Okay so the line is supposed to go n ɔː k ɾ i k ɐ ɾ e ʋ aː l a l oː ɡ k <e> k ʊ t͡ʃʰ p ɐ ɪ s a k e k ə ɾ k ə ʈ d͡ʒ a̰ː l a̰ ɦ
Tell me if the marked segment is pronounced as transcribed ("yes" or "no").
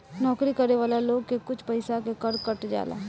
yes